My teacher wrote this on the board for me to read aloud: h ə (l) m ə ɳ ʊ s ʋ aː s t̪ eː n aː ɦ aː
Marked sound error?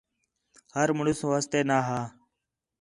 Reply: yes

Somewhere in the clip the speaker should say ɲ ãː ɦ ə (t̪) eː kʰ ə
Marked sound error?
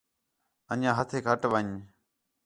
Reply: yes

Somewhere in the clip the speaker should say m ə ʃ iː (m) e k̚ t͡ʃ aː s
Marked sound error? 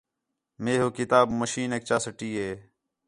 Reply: yes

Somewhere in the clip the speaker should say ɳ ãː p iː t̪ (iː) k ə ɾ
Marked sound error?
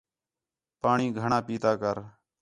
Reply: yes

